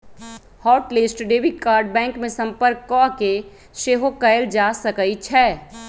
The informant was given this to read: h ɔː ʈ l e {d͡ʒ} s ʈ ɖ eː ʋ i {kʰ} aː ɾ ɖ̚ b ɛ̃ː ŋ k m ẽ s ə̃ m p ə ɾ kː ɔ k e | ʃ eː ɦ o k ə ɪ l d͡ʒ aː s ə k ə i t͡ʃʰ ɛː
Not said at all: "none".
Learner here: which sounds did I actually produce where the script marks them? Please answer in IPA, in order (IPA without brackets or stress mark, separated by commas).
none, k